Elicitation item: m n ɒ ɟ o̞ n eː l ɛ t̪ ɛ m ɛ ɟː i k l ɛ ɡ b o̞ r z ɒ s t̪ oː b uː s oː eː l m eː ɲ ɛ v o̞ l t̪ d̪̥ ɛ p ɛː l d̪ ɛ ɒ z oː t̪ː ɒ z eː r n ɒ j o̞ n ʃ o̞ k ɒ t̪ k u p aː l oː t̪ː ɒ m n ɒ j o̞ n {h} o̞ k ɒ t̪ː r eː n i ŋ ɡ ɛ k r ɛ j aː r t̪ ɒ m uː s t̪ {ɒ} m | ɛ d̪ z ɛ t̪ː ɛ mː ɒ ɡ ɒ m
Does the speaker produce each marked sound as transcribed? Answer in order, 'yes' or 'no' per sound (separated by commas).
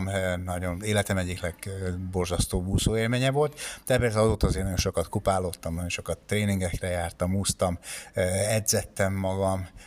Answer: no, yes